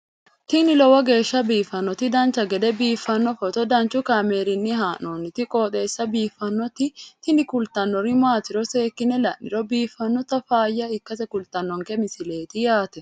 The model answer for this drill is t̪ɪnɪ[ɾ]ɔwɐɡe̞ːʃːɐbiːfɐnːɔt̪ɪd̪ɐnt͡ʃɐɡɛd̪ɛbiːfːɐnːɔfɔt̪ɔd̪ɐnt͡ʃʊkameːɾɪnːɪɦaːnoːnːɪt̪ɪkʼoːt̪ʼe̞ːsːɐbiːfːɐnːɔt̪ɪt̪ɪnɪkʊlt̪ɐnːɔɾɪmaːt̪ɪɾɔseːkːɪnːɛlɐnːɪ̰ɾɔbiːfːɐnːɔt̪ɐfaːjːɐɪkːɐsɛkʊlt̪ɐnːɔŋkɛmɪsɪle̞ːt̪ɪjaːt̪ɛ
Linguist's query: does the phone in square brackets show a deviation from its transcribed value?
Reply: yes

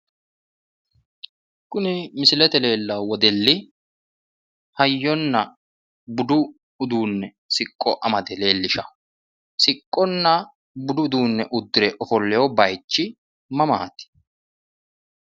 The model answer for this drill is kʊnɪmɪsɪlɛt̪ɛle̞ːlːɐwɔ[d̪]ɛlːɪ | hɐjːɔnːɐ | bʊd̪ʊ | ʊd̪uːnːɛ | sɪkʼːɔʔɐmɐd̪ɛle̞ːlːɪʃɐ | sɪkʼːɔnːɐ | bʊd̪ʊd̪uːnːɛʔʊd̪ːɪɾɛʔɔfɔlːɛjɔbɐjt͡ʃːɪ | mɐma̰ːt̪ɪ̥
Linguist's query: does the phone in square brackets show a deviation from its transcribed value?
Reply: no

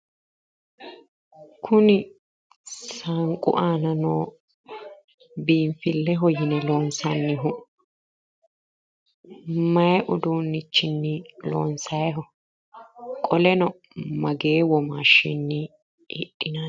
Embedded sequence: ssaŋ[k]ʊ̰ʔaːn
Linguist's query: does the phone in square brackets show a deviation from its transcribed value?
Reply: yes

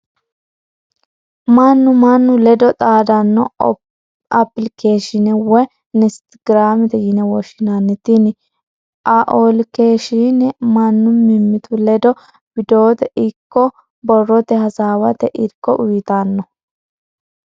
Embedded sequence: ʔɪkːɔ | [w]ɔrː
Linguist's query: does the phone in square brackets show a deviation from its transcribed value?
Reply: yes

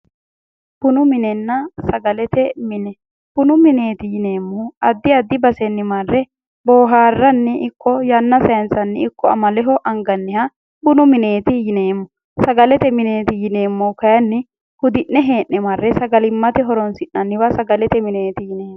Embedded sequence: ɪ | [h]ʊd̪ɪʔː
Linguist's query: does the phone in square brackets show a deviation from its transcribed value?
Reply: no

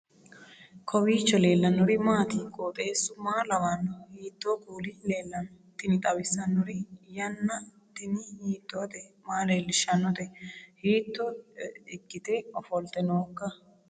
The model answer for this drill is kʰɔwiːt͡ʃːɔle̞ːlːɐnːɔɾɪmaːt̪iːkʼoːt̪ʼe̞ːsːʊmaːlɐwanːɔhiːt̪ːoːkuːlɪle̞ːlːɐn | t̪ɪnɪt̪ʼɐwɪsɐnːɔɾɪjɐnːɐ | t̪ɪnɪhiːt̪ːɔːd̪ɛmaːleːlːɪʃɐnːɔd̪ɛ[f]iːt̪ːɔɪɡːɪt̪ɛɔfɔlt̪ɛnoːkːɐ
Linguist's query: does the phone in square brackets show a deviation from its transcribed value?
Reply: yes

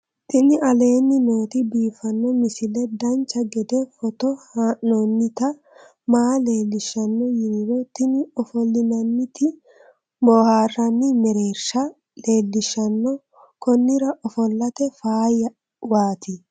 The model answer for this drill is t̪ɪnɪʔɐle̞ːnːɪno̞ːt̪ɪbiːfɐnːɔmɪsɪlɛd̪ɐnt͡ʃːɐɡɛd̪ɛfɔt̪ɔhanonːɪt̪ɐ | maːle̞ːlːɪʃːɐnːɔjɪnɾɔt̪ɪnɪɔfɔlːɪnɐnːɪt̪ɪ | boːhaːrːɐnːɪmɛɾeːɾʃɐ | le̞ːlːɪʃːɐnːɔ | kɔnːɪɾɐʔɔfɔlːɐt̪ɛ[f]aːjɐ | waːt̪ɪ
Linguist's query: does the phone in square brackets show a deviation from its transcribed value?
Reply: no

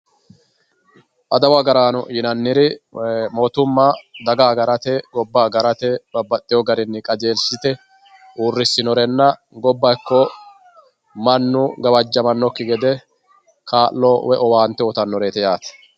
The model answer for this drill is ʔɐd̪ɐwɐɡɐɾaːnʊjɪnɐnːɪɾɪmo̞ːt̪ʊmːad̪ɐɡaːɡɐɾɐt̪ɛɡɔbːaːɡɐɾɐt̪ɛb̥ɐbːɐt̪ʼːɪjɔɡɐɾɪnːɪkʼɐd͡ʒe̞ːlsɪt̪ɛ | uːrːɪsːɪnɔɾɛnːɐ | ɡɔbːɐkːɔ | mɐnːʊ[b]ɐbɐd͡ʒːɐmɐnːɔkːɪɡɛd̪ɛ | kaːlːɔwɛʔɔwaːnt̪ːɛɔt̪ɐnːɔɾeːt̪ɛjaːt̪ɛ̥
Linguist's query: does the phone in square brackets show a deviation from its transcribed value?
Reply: yes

